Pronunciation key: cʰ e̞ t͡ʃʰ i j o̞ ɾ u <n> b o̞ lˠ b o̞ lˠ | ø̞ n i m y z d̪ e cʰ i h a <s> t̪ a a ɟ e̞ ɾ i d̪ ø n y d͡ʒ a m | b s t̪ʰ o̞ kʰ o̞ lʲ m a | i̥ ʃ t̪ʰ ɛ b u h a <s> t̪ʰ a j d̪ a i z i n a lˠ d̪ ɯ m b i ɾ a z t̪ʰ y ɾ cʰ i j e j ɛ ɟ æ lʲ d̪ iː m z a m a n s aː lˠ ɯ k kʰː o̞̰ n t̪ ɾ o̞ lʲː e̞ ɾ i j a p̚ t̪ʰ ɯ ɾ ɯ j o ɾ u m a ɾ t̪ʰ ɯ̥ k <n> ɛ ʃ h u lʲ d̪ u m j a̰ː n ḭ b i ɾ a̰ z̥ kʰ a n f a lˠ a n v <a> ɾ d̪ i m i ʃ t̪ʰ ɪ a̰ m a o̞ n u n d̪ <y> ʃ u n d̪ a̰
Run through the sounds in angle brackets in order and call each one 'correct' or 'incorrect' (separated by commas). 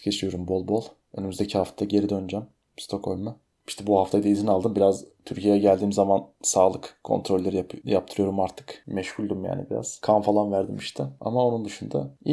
incorrect, incorrect, incorrect, incorrect, incorrect, correct